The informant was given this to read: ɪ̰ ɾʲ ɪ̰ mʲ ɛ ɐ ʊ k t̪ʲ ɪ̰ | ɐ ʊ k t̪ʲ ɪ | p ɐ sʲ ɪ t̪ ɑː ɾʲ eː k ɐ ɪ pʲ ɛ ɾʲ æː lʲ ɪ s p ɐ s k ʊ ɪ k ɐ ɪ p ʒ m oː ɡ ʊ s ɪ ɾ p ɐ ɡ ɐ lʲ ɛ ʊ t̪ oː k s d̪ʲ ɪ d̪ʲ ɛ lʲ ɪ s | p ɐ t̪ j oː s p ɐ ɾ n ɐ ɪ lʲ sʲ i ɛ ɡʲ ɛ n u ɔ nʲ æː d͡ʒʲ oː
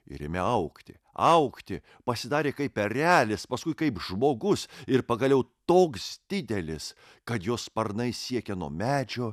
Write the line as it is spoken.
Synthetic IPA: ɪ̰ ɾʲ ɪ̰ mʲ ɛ ɐ ʊ k t̪ʲ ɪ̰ | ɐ ʊ k t̪ʲ ɪ | p ɐ sʲ ɪ d̪ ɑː ɾʲ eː k ɐ ɪ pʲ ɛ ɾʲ æː lʲ ɪ s p ɐ s k ʊ ɪ k ɐ ɪ p ʒ m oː ɡ ʊ s ɪ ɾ p ɐ ɡ ɐ lʲ ɛ ʊ t̪ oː k s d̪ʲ ɪ d̪ʲ ɛ lʲ ɪ s | k ɐ t̪ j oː s p ɐ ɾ n ɐ ɪ sʲ i ɛ kʲ ɛ n u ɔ mʲ æː d͡ʒʲ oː